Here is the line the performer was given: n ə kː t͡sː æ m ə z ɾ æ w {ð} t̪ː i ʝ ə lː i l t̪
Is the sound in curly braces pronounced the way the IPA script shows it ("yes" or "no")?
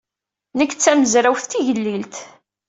no